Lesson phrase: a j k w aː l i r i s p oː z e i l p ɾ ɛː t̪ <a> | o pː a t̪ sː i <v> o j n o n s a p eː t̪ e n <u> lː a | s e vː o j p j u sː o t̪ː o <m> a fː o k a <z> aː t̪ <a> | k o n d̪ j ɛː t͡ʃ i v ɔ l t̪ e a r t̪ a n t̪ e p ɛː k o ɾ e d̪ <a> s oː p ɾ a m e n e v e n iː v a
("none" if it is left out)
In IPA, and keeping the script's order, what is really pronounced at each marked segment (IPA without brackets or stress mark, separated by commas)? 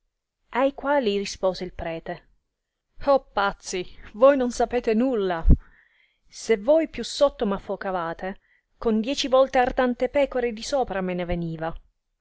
e, v, u, m, v, e, i